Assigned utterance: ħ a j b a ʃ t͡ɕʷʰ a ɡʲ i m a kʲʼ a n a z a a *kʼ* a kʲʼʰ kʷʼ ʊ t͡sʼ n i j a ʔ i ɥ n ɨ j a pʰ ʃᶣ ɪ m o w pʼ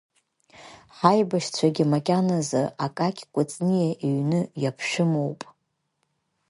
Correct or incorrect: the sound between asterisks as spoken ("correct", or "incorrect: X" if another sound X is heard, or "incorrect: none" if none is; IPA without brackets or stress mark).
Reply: correct